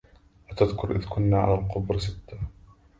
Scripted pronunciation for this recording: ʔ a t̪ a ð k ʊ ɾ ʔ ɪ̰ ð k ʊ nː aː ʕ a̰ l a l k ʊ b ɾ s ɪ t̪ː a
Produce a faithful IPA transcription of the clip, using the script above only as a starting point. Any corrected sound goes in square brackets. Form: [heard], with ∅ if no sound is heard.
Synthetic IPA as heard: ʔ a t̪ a ð k ʊ ɾ ʔ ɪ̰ ð k ʊ nː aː ʕ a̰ l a l [q] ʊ b ɾ s ɪ t̪ː a